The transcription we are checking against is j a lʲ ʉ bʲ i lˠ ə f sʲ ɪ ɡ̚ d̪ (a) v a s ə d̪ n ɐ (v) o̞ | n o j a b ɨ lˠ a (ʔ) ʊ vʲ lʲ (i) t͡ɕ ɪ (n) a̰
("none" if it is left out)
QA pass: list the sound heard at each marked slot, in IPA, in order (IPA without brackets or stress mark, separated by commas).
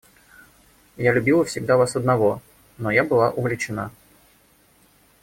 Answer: a, v, ʔ, ɪ, n